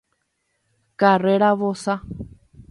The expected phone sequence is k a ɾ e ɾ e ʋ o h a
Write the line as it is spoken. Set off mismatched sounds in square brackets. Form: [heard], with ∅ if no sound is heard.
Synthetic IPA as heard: k a [r] e ɾ [a] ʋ o [s] a